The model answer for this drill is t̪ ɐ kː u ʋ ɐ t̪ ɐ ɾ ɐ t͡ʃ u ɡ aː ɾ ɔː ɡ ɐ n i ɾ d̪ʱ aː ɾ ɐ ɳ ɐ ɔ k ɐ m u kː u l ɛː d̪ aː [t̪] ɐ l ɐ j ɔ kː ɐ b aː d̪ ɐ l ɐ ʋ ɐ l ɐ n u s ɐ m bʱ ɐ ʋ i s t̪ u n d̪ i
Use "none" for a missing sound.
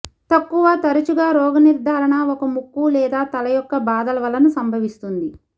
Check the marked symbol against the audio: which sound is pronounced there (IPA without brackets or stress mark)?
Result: t̪